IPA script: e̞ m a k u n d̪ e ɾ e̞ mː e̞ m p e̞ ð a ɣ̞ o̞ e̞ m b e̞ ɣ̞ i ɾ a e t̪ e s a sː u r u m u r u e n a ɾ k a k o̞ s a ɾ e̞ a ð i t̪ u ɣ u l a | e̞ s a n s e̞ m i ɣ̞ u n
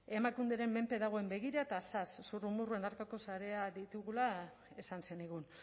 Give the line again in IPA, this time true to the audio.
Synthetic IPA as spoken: e̞ m a k u n d̪ e ɾ e̞ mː e̞ m p e̞ ð a ɣ̞ o̞ e̞ m b e̞ ɣ̞ i ɾ a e t̪ a s a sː u r u m u r u e n a ɾ k a k o̞ s a ɾ e̞ a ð i t̪ u ɣ u l a | e̞ s a n s e̞ n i ɣ̞ u n